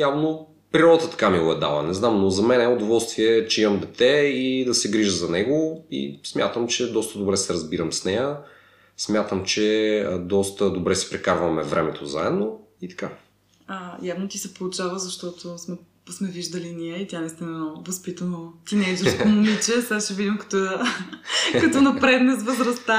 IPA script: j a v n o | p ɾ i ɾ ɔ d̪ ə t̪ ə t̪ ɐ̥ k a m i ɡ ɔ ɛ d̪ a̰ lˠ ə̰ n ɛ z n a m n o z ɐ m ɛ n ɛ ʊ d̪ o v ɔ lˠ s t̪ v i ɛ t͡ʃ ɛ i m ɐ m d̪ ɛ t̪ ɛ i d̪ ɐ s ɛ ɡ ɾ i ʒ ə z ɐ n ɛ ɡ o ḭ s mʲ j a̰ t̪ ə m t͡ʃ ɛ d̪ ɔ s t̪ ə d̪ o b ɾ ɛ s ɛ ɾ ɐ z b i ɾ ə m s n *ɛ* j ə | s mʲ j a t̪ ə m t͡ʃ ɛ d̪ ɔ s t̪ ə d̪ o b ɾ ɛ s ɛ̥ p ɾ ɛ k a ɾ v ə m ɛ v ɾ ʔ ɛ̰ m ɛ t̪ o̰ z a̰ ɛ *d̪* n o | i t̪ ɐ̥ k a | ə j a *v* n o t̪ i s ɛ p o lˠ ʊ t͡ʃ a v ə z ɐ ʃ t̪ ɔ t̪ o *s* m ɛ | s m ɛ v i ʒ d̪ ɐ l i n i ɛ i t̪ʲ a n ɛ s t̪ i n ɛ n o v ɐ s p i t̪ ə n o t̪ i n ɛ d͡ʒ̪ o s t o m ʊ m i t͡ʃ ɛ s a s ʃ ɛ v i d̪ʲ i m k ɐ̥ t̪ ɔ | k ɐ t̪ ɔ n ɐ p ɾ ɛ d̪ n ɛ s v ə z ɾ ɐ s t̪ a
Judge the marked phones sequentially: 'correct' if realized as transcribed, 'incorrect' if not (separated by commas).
correct, correct, correct, correct